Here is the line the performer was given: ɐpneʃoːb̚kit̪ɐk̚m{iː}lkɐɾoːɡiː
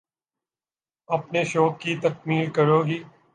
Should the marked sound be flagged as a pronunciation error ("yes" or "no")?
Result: no